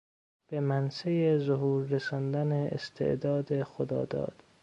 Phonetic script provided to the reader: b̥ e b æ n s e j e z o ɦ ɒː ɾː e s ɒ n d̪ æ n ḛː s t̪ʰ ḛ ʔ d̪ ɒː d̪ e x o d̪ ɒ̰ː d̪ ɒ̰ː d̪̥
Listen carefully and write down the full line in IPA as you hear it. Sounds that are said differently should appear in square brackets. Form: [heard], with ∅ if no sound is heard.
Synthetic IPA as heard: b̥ e [m] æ n s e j e z o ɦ [uː] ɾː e s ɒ n d̪ æ n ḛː s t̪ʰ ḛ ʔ d̪ ɒː d̪ e x o d̪ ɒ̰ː d̪ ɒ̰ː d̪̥